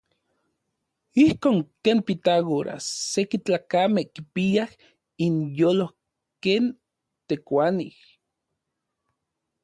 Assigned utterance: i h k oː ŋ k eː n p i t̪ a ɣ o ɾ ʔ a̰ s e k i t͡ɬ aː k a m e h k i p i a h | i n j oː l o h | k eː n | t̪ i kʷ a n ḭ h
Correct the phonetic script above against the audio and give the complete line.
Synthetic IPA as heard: i h k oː ŋ k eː n p i t̪ a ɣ o ɾ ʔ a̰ s e k i t͡ɬ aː k a m e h k i p i a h | i n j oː l o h | k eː n | t̪ e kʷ a n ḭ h